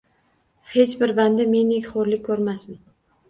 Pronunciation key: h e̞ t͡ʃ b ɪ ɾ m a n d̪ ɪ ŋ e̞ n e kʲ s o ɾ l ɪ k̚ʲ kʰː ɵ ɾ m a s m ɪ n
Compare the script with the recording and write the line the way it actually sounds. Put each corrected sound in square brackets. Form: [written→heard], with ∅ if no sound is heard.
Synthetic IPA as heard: h e̞ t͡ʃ b ɪ ɾ [m→b] a n d̪ ɪ [ŋ→m] e̞ n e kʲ [s→χ] o ɾ l ɪ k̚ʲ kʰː ɵ ɾ m a s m ɪ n